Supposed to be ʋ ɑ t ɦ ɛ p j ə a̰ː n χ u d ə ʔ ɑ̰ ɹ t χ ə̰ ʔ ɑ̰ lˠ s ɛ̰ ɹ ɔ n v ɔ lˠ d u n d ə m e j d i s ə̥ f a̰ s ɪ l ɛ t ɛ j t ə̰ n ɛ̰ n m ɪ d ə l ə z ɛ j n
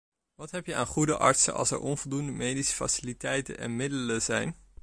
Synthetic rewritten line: ʋ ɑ t ɦ ɛ p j ə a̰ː n χ u d ə ʔ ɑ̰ ɹ t s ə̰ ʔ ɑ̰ lˠ s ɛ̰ ɹ ɔ n v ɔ lˠ d u n d ə m e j d i s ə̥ f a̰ s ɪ l i t ɛ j t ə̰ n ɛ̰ n m ɪ d ə l ə z ɛ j n